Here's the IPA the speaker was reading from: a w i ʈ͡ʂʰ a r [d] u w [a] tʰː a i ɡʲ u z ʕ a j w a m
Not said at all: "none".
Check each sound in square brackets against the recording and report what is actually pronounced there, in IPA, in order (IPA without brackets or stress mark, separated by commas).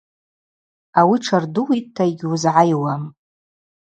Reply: d, i